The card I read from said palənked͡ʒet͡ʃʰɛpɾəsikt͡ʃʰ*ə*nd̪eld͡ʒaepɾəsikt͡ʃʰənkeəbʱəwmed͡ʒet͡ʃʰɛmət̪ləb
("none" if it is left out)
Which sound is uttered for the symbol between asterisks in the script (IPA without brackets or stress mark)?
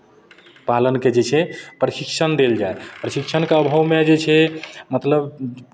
ə